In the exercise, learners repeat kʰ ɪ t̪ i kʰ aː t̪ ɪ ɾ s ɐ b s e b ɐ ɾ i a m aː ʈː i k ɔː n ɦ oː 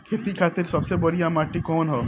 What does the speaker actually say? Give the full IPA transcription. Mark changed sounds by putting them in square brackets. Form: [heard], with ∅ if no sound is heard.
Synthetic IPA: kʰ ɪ t̪ i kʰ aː t̪ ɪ ɾ s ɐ b s e b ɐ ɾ i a m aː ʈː i k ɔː n ɦ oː